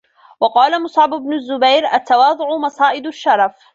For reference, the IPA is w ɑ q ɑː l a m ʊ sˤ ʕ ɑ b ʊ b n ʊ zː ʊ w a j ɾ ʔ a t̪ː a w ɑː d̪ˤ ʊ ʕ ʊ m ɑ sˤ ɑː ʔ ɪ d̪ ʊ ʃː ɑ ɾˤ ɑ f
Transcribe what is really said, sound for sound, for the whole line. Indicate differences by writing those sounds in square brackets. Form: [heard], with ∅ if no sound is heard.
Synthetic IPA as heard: w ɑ q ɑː l a m ʊ sˤ ʕ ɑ b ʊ b n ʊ zː ʊ [b] a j ɾ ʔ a t̪ː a w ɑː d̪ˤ ʊ ʕ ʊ m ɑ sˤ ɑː ʔ ɪ d̪ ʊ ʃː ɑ ɾˤ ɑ f

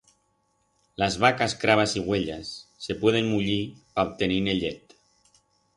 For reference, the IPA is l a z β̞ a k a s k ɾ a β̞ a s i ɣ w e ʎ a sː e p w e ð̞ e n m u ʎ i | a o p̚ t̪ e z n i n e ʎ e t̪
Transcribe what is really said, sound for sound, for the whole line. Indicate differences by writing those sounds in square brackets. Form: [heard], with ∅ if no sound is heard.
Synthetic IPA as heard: l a z β̞ a k a s k ɾ a β̞ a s i ɣ w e ʎ a sː e p w e ð̞ e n m u ʎ i | a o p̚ t̪ e [∅] n i n e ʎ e t̪

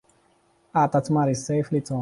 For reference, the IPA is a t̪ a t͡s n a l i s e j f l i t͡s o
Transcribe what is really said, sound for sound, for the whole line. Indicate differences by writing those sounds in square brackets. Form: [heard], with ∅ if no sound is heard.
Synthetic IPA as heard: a t̪ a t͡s [m] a [ɾ] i s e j f l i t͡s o

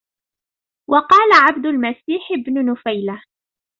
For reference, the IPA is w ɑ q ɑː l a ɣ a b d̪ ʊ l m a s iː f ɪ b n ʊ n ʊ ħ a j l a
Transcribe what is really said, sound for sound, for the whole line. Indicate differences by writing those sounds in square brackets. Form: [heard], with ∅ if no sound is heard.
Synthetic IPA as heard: w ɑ q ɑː l a [ʕ] a b d̪ ʊ l m a s iː [ħ] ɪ b n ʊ n ʊ [f] a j l a

